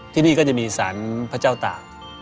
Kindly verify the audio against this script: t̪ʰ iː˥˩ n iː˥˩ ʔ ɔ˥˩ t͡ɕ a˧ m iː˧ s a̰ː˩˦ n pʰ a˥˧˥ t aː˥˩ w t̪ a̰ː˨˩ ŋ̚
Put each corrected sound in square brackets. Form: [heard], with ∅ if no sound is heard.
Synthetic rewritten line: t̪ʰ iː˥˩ n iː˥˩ [k] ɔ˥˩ t͡ɕ [a˨˩] m iː˧ s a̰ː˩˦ n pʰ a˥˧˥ [t͡ɕ] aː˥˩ w t̪ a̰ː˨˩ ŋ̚

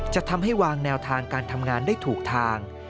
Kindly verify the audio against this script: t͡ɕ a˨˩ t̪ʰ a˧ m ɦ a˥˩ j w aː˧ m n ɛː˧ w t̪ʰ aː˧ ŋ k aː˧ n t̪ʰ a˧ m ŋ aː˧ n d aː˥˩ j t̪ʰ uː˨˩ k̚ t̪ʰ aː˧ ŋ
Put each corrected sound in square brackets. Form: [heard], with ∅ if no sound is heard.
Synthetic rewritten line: t͡ɕ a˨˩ t̪ʰ a˧ m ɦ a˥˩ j w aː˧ [ŋ] n ɛː˧ w t̪ʰ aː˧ ŋ k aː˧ n t̪ʰ a˧ m ŋ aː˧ n d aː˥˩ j t̪ʰ uː˨˩ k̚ t̪ʰ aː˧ ŋ

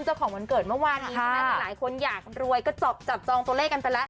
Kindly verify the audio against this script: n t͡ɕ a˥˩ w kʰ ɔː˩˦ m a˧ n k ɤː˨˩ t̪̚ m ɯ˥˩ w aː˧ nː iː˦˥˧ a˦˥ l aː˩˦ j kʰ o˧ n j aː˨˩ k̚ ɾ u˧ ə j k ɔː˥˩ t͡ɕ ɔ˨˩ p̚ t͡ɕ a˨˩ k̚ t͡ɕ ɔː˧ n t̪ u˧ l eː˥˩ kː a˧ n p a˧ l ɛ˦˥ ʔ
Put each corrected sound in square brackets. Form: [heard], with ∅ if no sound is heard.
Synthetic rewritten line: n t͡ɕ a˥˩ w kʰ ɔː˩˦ m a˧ n k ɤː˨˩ t̪̚ m ɯ˥˩ w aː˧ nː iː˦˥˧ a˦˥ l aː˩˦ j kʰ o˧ n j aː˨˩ k̚ ɾ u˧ ə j k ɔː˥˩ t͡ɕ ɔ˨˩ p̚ t͡ɕ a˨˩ [p̚] t͡ɕ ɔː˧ [ŋ] t̪ u˧ l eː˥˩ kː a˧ n p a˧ l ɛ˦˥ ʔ

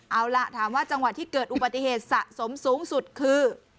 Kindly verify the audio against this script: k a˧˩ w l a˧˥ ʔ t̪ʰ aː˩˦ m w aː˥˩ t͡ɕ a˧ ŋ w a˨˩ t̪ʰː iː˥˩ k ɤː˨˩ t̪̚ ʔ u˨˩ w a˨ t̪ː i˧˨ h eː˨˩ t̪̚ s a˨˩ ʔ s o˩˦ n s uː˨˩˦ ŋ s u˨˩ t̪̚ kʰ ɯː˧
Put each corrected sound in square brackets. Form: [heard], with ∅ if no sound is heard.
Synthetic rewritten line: [ʔ] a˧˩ w l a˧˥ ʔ t̪ʰ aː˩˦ m w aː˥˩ t͡ɕ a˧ ŋ w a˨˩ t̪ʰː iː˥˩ k ɤː˨˩ t̪̚ ʔ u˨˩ [b] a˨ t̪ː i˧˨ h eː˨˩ t̪̚ s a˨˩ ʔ s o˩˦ [m] s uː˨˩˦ ŋ s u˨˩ t̪̚ kʰ ɯː˧

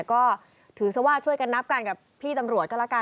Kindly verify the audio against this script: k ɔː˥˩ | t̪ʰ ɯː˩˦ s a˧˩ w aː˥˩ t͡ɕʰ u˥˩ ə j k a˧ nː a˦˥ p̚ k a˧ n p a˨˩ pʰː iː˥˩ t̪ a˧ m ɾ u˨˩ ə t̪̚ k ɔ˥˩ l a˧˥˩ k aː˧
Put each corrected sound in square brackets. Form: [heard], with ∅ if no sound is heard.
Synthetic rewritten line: k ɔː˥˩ | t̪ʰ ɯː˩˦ s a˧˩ w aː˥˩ t͡ɕʰ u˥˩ ə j k a˧ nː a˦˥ p̚ k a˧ n [k] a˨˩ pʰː iː˥˩ t̪ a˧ m ɾ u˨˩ ə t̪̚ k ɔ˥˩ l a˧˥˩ k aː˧

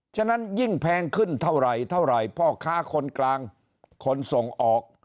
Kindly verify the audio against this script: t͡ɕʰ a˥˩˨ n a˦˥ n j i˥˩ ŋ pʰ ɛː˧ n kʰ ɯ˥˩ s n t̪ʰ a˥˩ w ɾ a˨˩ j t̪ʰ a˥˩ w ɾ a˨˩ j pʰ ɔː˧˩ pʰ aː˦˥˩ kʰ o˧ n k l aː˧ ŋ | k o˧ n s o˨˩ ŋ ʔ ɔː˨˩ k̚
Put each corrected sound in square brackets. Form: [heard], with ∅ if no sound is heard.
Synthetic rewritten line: t͡ɕʰ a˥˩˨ n a˦˥ n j i˥˩ ŋ pʰ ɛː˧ [ŋ] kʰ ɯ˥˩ [∅] n t̪ʰ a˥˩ w ɾ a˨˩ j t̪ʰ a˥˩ w ɾ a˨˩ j pʰ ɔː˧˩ [kʰ] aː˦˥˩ kʰ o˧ n k l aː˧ ŋ | [kʰ] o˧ n s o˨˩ ŋ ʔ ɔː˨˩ k̚

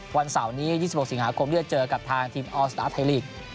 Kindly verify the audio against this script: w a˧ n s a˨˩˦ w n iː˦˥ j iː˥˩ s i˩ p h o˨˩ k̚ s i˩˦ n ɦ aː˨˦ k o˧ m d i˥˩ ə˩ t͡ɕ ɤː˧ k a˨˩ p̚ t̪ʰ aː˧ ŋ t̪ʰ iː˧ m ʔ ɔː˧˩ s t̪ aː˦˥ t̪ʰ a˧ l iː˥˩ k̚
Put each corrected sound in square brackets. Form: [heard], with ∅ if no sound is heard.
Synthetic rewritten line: w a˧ n s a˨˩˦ w n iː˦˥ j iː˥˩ s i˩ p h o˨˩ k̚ s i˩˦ [ŋ] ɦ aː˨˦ [kʰ] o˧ m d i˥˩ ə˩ t͡ɕ ɤː˧ k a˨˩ p̚ t̪ʰ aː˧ ŋ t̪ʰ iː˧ m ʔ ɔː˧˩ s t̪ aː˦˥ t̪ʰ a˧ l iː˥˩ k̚

